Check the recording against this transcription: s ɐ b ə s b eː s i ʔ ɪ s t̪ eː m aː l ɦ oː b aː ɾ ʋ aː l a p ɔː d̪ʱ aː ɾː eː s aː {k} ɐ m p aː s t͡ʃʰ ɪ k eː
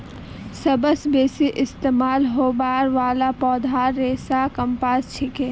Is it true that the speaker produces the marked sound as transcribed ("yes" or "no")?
yes